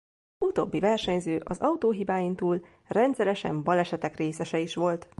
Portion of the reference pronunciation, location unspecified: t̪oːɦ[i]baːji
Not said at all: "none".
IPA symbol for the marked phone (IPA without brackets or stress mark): i